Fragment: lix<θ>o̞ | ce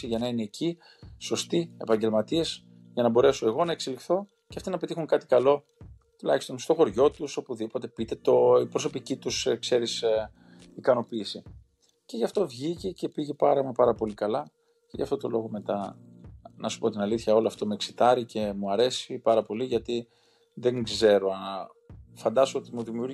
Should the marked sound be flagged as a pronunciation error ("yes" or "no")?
no